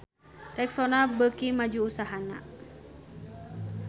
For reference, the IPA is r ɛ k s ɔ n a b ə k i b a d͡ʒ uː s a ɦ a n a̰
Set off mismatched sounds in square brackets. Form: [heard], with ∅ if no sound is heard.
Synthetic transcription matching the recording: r ɛ k s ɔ n a b ə k i [m] a d͡ʒ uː s a ɦ a n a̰

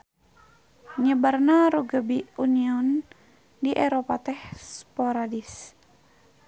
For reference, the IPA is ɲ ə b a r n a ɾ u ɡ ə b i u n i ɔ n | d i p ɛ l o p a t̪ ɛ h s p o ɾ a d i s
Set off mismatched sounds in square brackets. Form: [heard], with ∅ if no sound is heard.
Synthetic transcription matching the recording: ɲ ə b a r n a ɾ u ɡ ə b i u n i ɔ n | d i [ʔ] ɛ [ɾ] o p a t̪ ɛ h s p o ɾ a d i s

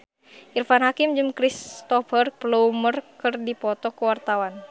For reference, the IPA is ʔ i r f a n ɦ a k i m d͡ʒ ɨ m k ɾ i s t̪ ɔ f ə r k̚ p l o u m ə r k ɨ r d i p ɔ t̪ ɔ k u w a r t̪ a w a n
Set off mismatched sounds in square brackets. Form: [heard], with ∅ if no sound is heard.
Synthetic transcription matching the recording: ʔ i r f a n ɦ a k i m d͡ʒ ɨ m k ɾ i s t̪ ɔ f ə r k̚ p l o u m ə r k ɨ r d i p ɔ t̪ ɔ k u w a r t̪ a w a n

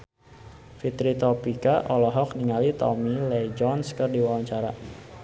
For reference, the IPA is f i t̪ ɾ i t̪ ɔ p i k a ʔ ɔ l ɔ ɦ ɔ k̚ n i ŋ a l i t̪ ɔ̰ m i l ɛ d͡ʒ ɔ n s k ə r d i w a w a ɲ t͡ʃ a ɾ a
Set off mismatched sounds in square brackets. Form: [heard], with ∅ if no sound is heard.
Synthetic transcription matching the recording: f i t̪ ɾ i t̪ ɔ p i k a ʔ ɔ l ɔ ɦ ɔ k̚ n i ŋ a l i t̪ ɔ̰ m i l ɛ d͡ʒ ɔ n s k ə r d i w a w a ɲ t͡ʃ a ɾ a

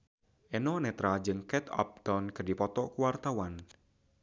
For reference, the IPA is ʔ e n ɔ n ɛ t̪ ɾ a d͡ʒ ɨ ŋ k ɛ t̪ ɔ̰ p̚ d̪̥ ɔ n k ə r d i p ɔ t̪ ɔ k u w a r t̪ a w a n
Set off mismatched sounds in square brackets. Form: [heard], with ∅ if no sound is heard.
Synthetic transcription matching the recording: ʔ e n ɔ n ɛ t̪ ɾ a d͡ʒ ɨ ŋ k ɛ t̪ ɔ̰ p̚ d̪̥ ɔ n k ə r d i p ɔ t̪ ɔ k u w a r t̪ a w a n

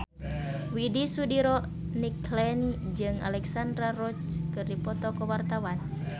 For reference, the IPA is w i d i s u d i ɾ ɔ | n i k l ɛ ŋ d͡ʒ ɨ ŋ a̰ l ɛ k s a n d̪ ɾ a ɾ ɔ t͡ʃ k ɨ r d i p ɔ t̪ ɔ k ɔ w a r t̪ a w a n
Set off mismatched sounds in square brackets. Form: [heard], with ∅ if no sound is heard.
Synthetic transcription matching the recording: w i d i s u d i ɾ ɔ | n i k l ɛ [n] d͡ʒ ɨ ŋ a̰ l ɛ k s a n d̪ ɾ a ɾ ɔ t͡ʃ k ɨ r d i p ɔ t̪ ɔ k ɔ w a r t̪ a w a n

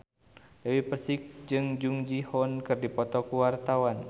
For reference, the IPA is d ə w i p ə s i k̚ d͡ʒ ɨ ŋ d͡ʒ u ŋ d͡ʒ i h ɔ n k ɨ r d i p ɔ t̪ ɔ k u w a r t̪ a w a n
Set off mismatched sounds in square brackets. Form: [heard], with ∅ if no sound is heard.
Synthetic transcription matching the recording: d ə w i p ə s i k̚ d͡ʒ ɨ ŋ d͡ʒ u ŋ d͡ʒ i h ɔ n k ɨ r d i p ɔ t̪ ɔ k u w a r t̪ a w a n

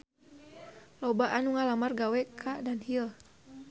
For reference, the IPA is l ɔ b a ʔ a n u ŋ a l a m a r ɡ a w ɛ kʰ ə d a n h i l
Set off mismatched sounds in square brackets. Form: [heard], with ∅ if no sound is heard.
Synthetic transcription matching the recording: l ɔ b a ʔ a n u ŋ a l a m a r ɡ a w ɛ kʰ [a] d a n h i l

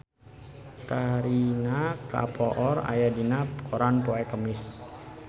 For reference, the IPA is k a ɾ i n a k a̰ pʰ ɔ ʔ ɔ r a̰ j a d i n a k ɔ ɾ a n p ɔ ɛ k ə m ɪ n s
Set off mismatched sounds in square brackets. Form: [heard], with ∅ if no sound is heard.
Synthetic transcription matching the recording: k a ɾ i n a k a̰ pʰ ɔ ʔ ɔ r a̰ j a d i n a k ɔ ɾ a n p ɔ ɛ k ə m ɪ [∅] s

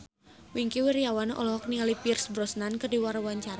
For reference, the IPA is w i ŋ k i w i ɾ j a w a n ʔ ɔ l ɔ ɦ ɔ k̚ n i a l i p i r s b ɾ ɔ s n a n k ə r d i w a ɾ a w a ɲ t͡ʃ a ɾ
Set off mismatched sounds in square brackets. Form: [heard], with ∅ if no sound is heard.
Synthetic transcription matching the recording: w i ŋ k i w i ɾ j a w a n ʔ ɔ l ɔ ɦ ɔ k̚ n i a l i p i r s b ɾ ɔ s n a n k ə r d i w a ɾ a w a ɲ t͡ʃ a ɾ

